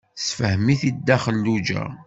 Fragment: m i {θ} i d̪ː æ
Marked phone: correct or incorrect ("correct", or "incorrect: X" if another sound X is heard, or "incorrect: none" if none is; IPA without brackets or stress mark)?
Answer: correct